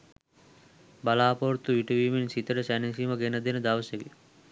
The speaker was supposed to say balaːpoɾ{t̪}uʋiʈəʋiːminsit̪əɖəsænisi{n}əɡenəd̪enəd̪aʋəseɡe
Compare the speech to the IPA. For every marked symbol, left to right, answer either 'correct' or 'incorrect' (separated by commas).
correct, incorrect